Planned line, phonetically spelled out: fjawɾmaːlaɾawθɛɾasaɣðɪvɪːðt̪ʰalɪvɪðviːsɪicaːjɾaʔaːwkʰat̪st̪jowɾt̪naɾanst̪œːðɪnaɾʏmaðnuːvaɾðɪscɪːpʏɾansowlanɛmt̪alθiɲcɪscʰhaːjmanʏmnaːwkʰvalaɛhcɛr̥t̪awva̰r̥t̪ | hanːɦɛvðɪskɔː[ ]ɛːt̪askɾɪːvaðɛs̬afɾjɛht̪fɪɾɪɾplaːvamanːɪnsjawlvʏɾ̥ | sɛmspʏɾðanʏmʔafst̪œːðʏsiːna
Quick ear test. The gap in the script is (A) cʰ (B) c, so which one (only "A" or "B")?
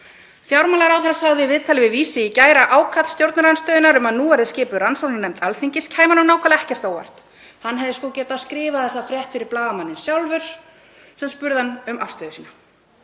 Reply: B